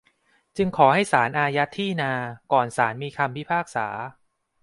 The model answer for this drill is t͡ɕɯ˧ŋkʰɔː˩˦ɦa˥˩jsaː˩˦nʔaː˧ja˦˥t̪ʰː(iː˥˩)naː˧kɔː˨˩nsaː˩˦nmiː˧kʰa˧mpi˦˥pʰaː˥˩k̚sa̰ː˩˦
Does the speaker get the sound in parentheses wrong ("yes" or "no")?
no